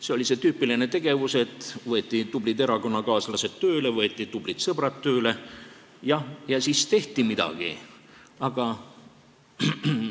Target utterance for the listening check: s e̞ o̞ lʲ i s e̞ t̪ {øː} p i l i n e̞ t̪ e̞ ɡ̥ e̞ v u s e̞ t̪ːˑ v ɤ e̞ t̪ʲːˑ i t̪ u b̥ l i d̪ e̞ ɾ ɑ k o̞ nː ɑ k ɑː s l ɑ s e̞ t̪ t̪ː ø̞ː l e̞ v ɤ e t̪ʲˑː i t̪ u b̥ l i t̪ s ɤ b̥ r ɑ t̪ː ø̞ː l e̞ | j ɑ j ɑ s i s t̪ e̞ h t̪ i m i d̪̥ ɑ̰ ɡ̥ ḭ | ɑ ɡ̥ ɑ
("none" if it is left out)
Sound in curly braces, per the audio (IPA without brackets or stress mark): yː